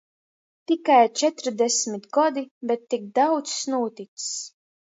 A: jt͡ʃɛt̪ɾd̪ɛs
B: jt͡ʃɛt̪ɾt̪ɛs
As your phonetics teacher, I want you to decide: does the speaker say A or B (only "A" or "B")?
A